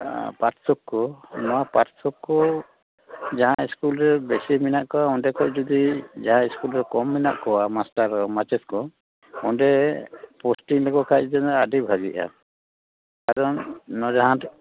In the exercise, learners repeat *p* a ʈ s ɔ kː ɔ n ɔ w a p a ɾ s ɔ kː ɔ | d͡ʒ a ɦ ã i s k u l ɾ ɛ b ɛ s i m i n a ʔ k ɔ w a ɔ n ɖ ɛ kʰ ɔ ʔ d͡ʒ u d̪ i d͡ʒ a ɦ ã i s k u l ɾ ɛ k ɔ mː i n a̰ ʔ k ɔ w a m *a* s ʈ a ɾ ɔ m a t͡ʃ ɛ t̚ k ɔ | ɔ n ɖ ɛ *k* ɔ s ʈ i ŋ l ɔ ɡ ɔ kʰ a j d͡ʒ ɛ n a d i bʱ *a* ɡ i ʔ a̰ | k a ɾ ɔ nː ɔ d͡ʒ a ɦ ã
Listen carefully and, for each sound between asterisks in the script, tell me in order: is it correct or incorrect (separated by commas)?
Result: correct, correct, incorrect, correct